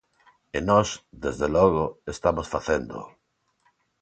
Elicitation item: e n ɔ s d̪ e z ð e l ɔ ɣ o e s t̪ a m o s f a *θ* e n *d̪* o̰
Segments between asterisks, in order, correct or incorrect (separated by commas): correct, correct